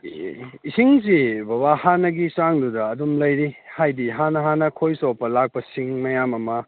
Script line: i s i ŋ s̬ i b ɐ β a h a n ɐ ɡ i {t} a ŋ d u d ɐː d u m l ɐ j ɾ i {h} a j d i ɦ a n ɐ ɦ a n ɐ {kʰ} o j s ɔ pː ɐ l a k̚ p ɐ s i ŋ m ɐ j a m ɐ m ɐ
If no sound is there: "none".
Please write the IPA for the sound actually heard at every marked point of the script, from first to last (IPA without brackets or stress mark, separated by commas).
s, h, kʰ